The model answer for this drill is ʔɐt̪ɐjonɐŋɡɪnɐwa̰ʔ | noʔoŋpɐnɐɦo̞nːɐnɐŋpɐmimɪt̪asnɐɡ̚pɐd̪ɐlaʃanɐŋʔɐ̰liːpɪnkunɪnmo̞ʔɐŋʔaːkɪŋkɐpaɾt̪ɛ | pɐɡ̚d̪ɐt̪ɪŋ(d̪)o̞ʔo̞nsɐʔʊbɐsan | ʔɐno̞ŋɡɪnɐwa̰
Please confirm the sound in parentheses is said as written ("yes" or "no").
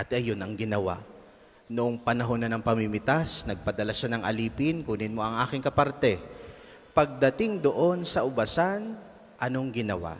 yes